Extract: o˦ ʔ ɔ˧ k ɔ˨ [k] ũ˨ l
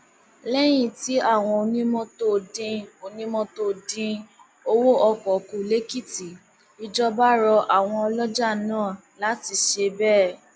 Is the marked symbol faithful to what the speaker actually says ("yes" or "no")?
yes